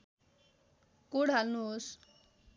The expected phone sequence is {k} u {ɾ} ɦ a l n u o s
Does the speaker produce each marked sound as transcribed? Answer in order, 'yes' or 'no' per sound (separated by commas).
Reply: yes, no